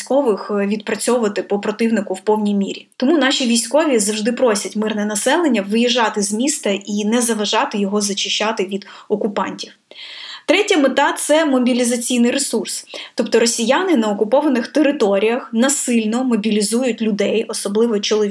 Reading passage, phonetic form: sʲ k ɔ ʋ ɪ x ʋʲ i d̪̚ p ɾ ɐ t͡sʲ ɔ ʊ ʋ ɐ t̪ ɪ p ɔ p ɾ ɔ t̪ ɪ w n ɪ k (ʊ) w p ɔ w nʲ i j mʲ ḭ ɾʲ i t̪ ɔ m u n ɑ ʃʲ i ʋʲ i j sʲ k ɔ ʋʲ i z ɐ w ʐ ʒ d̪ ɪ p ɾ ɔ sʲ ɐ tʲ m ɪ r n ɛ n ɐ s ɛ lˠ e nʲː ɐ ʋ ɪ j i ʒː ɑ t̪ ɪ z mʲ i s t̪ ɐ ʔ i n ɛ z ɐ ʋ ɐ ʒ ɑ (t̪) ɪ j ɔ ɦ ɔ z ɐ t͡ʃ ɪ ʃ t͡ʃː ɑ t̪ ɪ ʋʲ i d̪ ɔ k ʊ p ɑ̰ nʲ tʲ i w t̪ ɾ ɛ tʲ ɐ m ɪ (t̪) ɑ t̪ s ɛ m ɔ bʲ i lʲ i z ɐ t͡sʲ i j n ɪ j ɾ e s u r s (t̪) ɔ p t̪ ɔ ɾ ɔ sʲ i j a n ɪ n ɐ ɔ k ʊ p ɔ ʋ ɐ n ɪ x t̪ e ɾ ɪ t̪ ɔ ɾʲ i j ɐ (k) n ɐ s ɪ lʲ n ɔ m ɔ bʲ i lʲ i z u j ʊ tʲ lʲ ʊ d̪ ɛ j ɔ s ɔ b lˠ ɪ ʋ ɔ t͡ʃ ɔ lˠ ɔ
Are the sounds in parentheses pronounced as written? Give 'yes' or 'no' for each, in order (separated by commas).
yes, yes, yes, yes, no